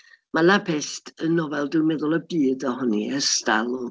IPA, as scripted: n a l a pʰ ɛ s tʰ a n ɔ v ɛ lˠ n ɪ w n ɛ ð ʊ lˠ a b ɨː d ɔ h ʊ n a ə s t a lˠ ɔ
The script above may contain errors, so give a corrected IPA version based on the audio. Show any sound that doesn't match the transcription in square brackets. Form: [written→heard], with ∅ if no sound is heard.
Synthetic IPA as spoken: [n→m] a l a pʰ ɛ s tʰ [a→ə] n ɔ v ɛ lˠ [n→d] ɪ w [n→m] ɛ ð ʊ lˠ [a→ə] b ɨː d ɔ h ʊ n [a→i] ə s t a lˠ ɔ